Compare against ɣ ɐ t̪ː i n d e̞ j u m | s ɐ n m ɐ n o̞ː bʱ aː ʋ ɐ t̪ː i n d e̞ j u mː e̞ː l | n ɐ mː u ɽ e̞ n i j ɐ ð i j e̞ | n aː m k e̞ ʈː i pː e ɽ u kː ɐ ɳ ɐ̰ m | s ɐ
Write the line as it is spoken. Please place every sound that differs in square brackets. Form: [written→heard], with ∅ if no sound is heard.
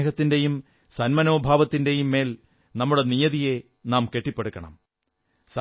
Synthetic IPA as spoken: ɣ ɐ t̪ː i n d e̞ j u m | s ɐ n m ɐ n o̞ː bʱ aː ʋ ɐ t̪ː i n d e̞ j u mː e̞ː l | n ɐ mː u ɽ e̞ n i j ɐ ð i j e̞ | n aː m k e̞ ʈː i pː e ɽ u kː ɐ ɳ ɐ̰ m | s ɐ

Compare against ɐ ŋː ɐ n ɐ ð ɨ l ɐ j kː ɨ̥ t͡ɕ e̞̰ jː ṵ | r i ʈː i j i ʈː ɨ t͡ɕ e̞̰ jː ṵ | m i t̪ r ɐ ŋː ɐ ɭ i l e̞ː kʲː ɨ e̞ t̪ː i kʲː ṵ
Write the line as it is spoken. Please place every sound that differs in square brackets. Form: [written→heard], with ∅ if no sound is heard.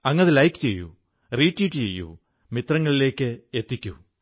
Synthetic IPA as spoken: ɐ ŋː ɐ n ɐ ð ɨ l ɐ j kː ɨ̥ t͡ɕ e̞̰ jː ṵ | r [i→iː] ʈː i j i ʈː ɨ t͡ɕ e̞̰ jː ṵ | m i t̪ r ɐ ŋː ɐ ɭ i l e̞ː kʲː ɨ e̞ t̪ː i kʲː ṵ

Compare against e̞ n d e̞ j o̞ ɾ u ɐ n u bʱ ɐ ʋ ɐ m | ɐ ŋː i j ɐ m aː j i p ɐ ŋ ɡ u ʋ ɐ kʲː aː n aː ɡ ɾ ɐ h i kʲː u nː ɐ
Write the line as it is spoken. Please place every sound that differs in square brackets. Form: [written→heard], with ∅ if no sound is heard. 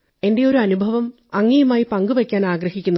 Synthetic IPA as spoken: e̞ n d e̞ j o̞ ɾ u ɐ n u bʱ ɐ ʋ ɐ m | ɐ ŋː i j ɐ m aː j i p ɐ ŋ ɡ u ʋ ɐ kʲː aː n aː ɡ ɾ ɐ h i kʲː u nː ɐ

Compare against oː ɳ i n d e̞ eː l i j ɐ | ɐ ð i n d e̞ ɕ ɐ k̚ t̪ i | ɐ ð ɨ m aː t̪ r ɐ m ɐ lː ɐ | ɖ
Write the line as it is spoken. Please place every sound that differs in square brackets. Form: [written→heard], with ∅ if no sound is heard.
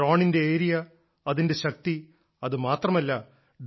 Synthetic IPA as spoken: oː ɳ i n d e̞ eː [l→ɾ] i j ɐ | ɐ ð i n d e̞ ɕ ɐ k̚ t̪ i | ɐ ð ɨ m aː t̪ r ɐ m ɐ lː ɐ | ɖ

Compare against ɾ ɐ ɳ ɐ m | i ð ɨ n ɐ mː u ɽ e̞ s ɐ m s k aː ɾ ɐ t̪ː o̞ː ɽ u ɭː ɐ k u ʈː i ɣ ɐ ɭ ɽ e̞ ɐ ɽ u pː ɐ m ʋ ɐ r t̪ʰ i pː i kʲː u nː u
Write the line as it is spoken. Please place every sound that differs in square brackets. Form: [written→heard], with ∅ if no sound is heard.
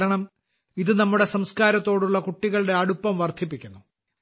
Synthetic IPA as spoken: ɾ ɐ ɳ ɐ m | i ð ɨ n ɐ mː u ɽ e̞ s ɐ m s k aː ɾ ɐ t̪ː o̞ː ɽ u ɭː ɐ k u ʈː i ɣ ɐ ɭ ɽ e̞ ɐ ɽ u pː ɐ m ʋ ɐ r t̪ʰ i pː i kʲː u nː u

